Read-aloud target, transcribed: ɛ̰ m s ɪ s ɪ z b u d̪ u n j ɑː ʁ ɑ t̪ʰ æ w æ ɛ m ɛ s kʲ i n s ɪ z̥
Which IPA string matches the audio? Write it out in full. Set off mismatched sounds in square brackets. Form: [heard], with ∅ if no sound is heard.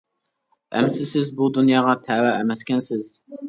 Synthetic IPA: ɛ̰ m s ɪ s ɪ z b u d̪ u n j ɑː ʁ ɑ t̪ʰ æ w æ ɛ m ɛ s kʲ [ɛ] n s ɪ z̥